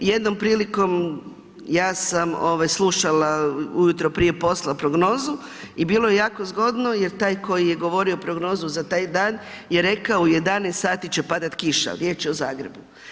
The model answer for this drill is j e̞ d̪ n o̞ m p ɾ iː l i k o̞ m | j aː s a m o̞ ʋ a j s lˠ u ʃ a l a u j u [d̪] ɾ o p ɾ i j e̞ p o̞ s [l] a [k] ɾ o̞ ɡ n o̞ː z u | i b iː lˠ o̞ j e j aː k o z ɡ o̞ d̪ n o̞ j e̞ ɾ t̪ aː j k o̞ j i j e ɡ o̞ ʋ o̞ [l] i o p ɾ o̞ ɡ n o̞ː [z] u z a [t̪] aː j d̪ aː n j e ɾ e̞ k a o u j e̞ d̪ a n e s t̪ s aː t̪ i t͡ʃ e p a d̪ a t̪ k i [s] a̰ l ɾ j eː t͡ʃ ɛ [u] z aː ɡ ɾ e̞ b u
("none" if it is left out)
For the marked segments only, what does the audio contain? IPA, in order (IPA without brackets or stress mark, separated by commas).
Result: t̪, l, p, ɾ, z, t̪, ʃ, o